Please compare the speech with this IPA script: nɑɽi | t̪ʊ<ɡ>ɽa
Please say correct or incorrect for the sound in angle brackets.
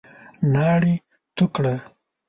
incorrect